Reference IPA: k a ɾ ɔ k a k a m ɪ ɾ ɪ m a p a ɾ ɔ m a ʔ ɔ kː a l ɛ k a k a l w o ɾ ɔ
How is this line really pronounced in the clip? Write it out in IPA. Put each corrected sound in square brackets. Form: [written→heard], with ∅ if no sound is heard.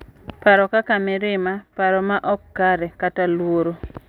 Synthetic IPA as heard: [k→p] a ɾ ɔ k a k a m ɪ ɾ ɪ m a p a ɾ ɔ m a ʔ ɔ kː a [l→ɾ] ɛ k a [k→t] a l w o ɾ [ɔ→o]